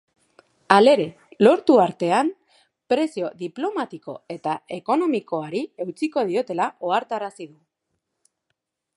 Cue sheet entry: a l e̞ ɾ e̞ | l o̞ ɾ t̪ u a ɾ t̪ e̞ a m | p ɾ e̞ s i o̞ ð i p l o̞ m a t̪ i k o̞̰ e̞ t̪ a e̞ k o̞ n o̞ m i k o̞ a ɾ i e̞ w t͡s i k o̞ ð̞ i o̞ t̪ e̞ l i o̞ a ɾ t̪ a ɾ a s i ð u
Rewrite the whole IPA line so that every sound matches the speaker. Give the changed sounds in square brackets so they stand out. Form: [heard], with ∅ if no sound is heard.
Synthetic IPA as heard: a l e̞ ɾ e̞ | l o̞ ɾ t̪ u a ɾ t̪ e̞ a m | p ɾ e̞ s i o̞ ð i p l o̞ m a t̪ i k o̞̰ e̞ t̪ a e̞ k o̞ n o̞ m i k o̞ a ɾ i e̞ w t͡s i k o̞ ð̞ i o̞ t̪ e̞ l [a] o̞ a ɾ t̪ a ɾ a s i ð u

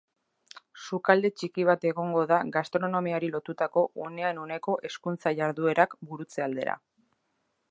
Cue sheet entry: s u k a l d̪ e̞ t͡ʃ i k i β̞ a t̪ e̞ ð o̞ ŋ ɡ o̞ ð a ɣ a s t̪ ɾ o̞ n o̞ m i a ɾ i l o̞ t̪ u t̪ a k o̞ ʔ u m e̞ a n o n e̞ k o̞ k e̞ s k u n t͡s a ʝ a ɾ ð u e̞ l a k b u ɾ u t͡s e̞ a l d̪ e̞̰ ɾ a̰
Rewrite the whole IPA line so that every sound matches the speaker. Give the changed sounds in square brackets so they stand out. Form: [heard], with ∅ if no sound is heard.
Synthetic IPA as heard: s u k a l d̪ e̞ t͡ʃ i k i β̞ a t̪ e̞ [ɣ] o̞ ŋ ɡ o̞ ð a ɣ a s t̪ ɾ o̞ n o̞ m i a ɾ i l o̞ t̪ u t̪ a k o̞ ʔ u [n] e̞ a n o n e̞ k o̞ [ʔ] e̞ s k u n t͡s a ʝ a ɾ ð u e̞ [ɾ] a k b u ɾ u t͡s e̞ a l d̪ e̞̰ ɾ a̰

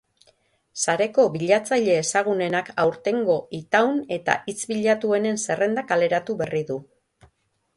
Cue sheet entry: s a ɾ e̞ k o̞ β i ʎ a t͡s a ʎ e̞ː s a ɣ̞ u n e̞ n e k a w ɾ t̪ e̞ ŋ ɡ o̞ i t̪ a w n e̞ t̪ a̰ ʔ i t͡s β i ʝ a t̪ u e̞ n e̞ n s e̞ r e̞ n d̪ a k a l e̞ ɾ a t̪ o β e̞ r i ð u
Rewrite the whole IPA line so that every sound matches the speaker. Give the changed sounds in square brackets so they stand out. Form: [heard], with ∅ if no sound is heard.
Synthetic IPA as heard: s a ɾ e̞ k o̞ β i ʎ a t͡s a ʎ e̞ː s a ɣ̞ u n e̞ n [a] k a w ɾ t̪ e̞ ŋ ɡ o̞ i t̪ a w n e̞ t̪ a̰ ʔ i t͡s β i [ʎ] a t̪ u e̞ n e̞ n s e̞ r e̞ n d̪ a k a l e̞ ɾ a t̪ [u] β e̞ r i ð u

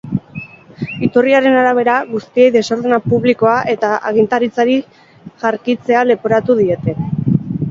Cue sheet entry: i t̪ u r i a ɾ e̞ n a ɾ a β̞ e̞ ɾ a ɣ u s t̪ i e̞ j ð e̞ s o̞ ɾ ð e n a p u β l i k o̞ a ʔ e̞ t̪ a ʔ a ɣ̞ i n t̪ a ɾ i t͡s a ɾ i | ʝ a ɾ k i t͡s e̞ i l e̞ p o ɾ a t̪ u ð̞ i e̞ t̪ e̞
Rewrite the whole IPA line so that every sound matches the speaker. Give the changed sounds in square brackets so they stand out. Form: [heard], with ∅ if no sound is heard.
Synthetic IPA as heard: i t̪ u r i a ɾ e̞ n a ɾ a β̞ e̞ ɾ a ɣ u s t̪ i e̞ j ð e̞ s o̞ ɾ ð e n a p u β l i k o̞ a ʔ e̞ t̪ a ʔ a ɣ̞ i n t̪ a ɾ i t͡s a ɾ i | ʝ a ɾ k i t͡s e̞ [a] l e̞ p o ɾ a t̪ u ð̞ i e̞ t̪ e̞

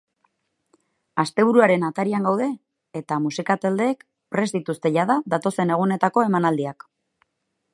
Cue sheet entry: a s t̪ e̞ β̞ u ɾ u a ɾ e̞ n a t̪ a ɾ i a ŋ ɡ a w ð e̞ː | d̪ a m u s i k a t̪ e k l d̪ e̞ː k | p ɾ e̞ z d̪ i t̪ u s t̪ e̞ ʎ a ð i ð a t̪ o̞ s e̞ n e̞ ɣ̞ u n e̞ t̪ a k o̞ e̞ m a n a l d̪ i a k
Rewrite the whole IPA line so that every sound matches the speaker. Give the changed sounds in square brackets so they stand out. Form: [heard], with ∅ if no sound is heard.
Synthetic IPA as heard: a s t̪ e̞ β̞ u ɾ u a ɾ e̞ n a t̪ a ɾ i a ŋ ɡ a w ð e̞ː | [t̪] a m u s i k a t̪ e [∅] l d̪ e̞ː k | p ɾ e̞ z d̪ i t̪ u s t̪ e̞ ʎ a ð [a] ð a t̪ o̞ s e̞ n e̞ ɣ̞ u n e̞ t̪ a k o̞ e̞ m a n a l d̪ i a k

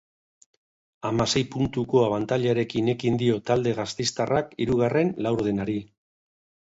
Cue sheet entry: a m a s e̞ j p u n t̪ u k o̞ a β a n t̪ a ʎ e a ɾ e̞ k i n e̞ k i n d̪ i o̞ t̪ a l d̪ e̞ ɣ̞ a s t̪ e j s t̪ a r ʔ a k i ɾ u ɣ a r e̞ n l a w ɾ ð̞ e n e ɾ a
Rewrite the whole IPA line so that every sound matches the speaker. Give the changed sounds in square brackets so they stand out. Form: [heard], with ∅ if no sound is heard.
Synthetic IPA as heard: a m a s e̞ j p u n t̪ u k o̞ a β a n t̪ a ʎ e a ɾ e̞ k i n e̞ k i n d̪ i o̞ t̪ a l d̪ e̞ ɣ̞ a s t̪ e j s t̪ a r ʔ a k i ɾ u ɣ a r e̞ n l a w ɾ ð̞ e n [a] ɾ [i]

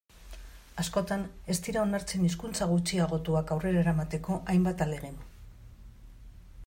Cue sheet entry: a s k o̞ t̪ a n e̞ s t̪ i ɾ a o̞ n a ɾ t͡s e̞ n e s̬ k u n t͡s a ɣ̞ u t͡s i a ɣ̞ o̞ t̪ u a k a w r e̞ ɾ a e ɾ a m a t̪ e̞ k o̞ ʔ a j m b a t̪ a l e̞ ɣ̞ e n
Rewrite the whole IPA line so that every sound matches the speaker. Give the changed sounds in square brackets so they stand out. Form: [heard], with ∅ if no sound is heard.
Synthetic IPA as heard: a s k o̞ t̪ a n e̞ s t̪ i ɾ a o̞ n a ɾ t͡s e̞ n [i] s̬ k u n t͡s a ɣ̞ u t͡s i a ɣ̞ o̞ t̪ u a k a w r e̞ ɾ a e ɾ a m a t̪ e̞ k o̞ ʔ a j m b a t̪ a l e̞ ɣ̞ e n

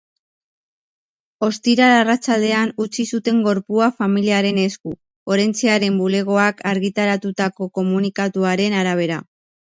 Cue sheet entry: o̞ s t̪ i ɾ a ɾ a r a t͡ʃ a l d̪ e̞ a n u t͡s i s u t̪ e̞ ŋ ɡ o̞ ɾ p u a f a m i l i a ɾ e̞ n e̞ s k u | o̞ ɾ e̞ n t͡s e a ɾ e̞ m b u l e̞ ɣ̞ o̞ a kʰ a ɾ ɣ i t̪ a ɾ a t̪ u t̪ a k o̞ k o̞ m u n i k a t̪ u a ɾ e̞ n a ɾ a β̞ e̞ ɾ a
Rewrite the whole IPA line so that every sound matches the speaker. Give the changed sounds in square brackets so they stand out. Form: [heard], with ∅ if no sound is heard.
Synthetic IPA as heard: o̞ s t̪ i ɾ a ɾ a r a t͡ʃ a l d̪ e̞ a n u t͡s i s u t̪ e̞ ŋ ɡ o̞ ɾ p u a f a m i l i a ɾ e̞ n e̞ s k u | o̞ ɾ e̞ n t͡s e a ɾ e̞ m b u l e̞ ɣ̞ o̞ a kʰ a ɾ ɣ i t̪ a ɾ a t̪ u t̪ a k o̞ k o̞ m u n i k a t̪ u a ɾ e̞ n a ɾ a β̞ e̞ ɾ a

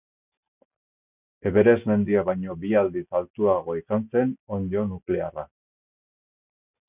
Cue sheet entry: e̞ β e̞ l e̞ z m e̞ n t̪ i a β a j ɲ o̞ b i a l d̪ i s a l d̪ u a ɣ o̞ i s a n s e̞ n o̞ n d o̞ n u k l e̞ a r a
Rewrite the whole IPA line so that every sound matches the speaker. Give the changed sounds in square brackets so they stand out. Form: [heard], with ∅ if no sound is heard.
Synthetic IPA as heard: e̞ β e̞ [ɾ] e̞ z m e̞ n [d̪] i a β a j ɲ o̞ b i a l d̪ i s a l [t̪] u a ɣ o̞ i s a n s e̞ n o̞ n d o̞ n u k l e̞ a r a

